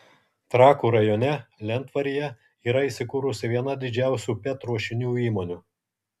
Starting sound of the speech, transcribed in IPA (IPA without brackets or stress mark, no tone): t̪